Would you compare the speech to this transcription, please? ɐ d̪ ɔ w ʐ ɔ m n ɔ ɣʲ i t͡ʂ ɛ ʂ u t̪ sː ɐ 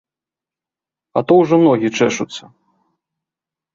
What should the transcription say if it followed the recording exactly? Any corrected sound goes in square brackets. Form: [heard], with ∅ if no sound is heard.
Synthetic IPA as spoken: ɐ [t̪] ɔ w ʐ ɔ m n ɔ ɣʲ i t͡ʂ ɛ ʂ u t̪ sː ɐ